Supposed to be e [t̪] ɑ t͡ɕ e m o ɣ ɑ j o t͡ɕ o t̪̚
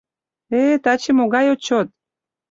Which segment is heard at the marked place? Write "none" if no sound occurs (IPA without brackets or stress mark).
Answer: t̪